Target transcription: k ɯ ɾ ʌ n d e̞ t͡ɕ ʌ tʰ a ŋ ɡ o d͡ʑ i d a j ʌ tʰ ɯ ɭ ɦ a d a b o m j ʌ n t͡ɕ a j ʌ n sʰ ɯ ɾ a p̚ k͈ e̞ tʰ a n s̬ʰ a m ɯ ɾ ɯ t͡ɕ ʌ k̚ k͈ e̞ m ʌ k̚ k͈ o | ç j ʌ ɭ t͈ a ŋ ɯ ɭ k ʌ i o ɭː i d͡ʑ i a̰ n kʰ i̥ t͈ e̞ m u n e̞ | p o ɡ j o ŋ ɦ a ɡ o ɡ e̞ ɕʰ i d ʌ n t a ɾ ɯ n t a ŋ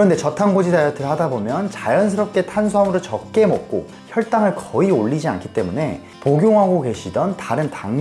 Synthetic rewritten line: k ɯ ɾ ʌ n d e̞ t͡ɕ ʌ tʰ a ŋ ɡ o d͡ʑ i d a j ʌ tʰ ɯ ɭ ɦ a d a b o m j ʌ n t͡ɕ a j ʌ n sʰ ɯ ɾ ʌ p̚ k͈ e̞ tʰ a n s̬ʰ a m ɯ ɾ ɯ t͡ɕ ʌ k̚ k͈ e̞ m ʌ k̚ k͈ o | ç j ʌ ɭ t͈ a ŋ ɯ ɭ k ʌ i o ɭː i d͡ʑ i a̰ n kʰ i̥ t͈ e̞ m u n e̞ | p o ɡ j o ŋ ɦ a ɡ o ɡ e̞ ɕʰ i d ʌ n t a ɾ ɯ n t a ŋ